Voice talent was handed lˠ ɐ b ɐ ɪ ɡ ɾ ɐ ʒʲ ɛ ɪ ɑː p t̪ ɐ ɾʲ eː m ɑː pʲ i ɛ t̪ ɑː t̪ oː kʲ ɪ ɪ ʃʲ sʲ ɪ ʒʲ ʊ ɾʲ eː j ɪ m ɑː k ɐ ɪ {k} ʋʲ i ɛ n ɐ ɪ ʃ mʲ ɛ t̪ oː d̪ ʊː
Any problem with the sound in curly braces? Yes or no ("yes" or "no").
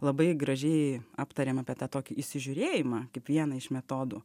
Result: yes